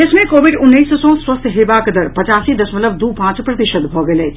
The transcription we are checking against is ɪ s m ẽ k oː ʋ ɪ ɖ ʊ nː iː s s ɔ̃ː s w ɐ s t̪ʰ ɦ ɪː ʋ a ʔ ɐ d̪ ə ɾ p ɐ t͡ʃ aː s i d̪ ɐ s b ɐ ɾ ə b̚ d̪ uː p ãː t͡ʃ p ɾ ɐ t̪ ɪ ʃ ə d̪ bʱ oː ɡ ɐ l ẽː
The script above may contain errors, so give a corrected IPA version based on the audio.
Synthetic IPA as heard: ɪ s m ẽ k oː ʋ ɪ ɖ ʊ nː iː s s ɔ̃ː s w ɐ s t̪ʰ ɦ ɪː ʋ a k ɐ d̪ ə ɾ p ɐ t͡ʃ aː s i d̪ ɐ s m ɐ l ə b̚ d̪ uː p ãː t͡ʃ p ɾ ɐ t̪ ɪ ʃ ə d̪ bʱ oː ɡ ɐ l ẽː